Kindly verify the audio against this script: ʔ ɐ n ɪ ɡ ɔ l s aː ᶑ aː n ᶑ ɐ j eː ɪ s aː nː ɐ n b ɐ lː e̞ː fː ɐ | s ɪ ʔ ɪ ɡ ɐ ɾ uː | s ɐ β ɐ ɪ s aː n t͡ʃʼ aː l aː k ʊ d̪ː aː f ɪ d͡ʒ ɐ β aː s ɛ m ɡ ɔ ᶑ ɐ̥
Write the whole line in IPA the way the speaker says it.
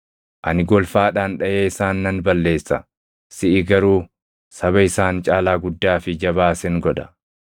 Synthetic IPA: ʔ ɐ n ɪ ɡ ɔ l f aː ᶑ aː n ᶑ ɐ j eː ɪ s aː nː ɐ n b ɐ lː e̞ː sː ɐ | s ɪ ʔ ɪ ɡ ɐ ɾ uː | s ɐ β ɐ ɪ s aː n t͡ʃʼ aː l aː ɡ ʊ d̪ː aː f ɪ d͡ʒ ɐ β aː s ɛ ŋ ɡ ɔ ᶑ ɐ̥